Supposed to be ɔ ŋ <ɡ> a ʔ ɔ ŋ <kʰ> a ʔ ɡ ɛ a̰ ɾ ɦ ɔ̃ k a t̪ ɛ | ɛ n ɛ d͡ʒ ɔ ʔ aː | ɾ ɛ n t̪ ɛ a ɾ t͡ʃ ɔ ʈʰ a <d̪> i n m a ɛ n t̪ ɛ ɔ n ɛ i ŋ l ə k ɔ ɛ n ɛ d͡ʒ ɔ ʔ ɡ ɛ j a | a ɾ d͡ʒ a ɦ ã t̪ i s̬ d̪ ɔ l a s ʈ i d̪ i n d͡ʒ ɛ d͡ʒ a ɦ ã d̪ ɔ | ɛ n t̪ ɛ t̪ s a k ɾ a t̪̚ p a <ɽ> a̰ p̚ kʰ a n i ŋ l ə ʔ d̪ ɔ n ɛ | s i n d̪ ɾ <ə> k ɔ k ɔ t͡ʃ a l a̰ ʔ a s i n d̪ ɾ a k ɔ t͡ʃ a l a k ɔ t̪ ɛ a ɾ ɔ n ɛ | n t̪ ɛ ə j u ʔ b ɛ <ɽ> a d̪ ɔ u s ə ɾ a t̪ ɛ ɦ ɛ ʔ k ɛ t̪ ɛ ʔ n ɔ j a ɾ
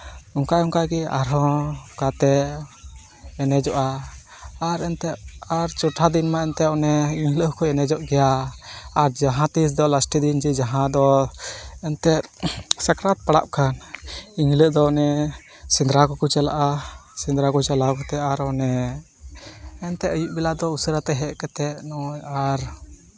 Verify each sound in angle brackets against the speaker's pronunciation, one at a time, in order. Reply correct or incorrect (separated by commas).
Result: incorrect, incorrect, correct, correct, incorrect, incorrect